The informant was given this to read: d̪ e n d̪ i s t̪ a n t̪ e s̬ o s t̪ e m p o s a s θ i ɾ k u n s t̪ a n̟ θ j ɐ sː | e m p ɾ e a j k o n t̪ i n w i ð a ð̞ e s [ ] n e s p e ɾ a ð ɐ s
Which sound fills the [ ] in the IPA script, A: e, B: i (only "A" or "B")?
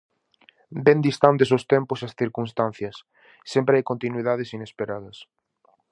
B